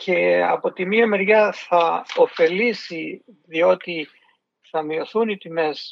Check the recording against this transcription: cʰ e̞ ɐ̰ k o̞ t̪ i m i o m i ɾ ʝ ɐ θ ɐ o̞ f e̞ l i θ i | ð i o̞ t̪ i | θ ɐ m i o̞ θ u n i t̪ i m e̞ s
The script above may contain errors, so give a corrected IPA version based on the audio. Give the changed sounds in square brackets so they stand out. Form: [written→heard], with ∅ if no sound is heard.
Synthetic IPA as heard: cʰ e̞ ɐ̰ [k→p] o̞ t̪ i m i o m [i→e] ɾ ʝ ɐ θ ɐ o̞ f e̞ l i [θ→s] i | ð i o̞ t̪ i | θ ɐ m i o̞ θ u n i t̪ i m e̞ s